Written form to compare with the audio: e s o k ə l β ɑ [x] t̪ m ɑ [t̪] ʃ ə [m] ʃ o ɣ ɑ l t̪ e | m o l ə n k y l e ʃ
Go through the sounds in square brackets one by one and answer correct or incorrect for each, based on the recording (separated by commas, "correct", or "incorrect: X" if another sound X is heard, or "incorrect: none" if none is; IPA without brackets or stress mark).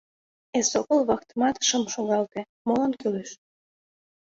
incorrect: k, correct, correct